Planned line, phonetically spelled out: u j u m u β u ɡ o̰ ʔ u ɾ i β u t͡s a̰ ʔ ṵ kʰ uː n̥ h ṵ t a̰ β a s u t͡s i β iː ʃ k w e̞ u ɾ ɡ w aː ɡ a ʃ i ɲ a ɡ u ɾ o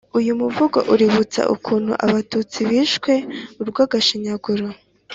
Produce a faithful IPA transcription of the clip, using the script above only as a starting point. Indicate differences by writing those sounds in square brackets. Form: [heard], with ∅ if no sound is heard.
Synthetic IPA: u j u m u [v] u ɡ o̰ ʔ u ɾ i β u t͡s a̰ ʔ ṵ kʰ uː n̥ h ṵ [ʔ] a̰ β a [t] u t͡s i β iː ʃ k w e̞ u ɾ ɡ w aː ɡ a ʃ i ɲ a ɡ u ɾ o